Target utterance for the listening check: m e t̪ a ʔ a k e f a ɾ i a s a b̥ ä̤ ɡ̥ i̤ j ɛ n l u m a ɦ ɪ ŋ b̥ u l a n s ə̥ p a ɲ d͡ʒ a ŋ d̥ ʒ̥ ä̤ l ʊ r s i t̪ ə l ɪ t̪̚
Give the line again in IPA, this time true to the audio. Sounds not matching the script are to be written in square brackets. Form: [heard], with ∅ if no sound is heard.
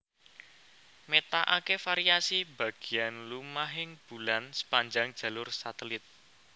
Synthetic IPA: m e t̪ a ʔ a k e f a ɾ i a s [i] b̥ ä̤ ɡ̥ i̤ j [a] n l u m a ɦ ɪ ŋ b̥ u l a n s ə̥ p a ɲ d͡ʒ a ŋ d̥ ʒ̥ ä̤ l ʊ r s [a] t̪ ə l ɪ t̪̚